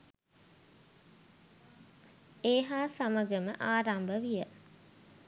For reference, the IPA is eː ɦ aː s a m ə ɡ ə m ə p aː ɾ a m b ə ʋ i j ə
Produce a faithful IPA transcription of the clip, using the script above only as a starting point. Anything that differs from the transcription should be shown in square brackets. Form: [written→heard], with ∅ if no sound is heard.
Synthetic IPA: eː ɦ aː s a m ə ɡ ə m ə [p→ʔ] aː ɾ a m b ə ʋ i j ə